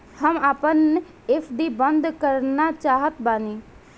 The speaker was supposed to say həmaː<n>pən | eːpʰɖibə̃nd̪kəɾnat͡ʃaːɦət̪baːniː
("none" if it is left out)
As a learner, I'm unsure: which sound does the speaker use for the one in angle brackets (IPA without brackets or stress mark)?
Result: none